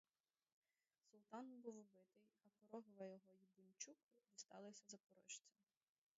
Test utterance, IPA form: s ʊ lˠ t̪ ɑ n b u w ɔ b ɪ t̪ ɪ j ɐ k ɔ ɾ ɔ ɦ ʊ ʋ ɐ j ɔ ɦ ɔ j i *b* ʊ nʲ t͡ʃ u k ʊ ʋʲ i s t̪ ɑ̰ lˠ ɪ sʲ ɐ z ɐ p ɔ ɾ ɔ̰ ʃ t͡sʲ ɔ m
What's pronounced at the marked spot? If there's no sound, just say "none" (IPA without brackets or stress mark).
b